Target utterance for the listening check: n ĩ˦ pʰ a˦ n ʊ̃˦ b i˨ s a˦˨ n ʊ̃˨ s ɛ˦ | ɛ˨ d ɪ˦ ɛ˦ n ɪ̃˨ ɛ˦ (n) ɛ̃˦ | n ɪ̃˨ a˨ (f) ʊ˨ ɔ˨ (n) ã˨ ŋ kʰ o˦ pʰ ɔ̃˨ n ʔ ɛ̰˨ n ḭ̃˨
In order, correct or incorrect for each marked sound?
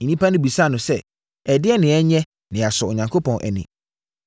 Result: incorrect: ɲ, incorrect: s, incorrect: ɲ

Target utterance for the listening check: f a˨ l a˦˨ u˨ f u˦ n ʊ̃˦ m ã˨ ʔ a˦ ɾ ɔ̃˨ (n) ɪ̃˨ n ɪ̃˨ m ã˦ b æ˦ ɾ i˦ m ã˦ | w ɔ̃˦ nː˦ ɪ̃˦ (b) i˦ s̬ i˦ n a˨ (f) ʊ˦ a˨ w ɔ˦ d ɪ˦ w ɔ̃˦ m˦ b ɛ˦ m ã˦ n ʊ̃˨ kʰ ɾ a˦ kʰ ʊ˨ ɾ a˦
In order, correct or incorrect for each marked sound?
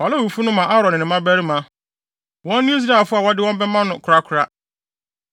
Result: correct, incorrect: none, correct

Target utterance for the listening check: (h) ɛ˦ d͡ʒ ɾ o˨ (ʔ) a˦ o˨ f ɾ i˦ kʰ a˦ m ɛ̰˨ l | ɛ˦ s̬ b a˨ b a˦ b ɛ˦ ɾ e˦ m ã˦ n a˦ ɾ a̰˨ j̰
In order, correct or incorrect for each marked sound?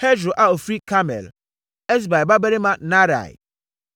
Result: correct, correct

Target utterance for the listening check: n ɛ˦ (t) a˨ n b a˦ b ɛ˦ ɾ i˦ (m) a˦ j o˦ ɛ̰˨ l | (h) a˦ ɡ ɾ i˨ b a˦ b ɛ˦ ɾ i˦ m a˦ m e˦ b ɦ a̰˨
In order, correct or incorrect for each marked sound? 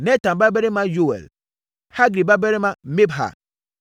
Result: correct, correct, correct

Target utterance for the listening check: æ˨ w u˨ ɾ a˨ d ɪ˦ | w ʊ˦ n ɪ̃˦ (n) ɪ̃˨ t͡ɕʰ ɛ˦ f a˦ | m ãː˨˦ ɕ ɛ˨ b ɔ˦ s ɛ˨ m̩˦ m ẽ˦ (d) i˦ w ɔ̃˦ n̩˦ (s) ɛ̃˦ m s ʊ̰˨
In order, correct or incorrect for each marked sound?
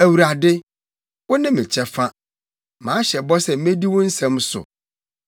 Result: incorrect: m, correct, correct

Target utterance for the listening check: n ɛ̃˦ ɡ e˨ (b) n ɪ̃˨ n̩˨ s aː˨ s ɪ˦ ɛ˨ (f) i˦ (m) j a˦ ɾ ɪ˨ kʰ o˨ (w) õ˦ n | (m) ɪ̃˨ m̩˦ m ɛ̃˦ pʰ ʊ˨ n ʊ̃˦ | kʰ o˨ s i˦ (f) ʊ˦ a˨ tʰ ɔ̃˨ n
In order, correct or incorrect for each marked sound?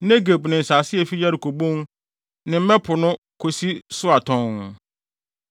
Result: correct, correct, incorrect: none, incorrect: b, incorrect: n, incorrect: s

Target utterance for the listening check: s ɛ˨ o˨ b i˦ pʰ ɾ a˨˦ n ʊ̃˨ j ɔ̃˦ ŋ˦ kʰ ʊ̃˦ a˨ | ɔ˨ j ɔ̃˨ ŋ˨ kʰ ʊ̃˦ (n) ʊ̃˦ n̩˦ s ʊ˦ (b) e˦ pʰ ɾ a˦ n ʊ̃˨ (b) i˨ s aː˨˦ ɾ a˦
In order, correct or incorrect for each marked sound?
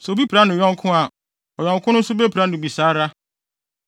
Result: correct, correct, correct

